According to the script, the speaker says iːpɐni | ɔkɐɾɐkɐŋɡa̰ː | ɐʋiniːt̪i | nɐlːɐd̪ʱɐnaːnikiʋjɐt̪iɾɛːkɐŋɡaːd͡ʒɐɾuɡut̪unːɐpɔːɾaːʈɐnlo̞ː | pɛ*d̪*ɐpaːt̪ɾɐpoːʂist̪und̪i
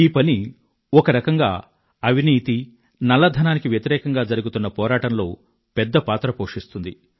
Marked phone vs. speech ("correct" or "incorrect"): incorrect